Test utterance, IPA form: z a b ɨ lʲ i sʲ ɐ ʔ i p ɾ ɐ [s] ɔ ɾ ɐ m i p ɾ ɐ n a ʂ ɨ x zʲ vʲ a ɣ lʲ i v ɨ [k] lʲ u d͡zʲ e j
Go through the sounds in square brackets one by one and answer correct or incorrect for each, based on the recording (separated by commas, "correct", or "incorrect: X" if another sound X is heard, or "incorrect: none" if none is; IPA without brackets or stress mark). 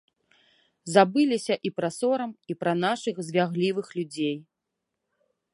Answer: correct, incorrect: x